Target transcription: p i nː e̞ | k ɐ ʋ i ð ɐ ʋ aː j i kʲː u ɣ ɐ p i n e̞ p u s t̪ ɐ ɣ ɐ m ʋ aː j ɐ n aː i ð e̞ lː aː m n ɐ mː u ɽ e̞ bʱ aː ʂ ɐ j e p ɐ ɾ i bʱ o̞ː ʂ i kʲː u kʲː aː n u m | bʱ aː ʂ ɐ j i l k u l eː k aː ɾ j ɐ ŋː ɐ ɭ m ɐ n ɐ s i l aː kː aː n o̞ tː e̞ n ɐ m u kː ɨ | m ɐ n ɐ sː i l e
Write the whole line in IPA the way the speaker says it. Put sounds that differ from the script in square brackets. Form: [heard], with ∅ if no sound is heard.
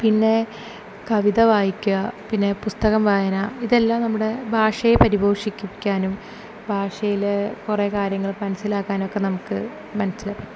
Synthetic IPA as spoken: p i nː e̞ | k ɐ ʋ i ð ɐ ʋ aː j i kʲː u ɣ ɐ p i [nː] e̞ p u s t̪ ɐ ɣ ɐ m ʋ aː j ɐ n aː i ð e̞ lː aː m n ɐ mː u ɽ e̞ bʱ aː ʂ ɐ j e p ɐ ɾ i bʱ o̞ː ʂ i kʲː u kʲː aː n u m | bʱ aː ʂ ɐ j i l k u [r] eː k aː ɾ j ɐ ŋː ɐ ɭ m ɐ n ɐ s i l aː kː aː n o̞ [kː] e̞ n ɐ m u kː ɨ | m ɐ n ɐ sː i l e